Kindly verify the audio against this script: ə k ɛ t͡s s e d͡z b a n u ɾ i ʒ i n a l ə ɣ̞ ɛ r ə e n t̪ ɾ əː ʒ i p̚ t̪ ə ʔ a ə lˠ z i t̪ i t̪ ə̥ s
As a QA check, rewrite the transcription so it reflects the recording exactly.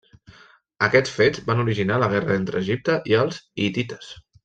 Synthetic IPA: ə k ɛ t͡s f e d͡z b a n u ɾ i ʒ i n a l ə ɣ̞ ɛ r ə e n t̪ ɾ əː ʒ i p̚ t̪ ə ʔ i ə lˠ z i t̪ i t̪ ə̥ s